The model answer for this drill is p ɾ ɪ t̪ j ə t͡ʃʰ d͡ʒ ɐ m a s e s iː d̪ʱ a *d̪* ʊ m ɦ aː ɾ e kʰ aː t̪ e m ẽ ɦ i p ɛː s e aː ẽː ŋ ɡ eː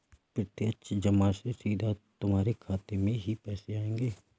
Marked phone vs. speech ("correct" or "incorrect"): incorrect